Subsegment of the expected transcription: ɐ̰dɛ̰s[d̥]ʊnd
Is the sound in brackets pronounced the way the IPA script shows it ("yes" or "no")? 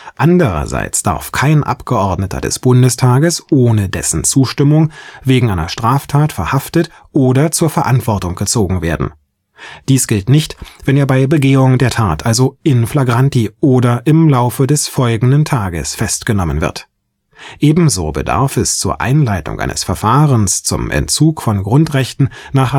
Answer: no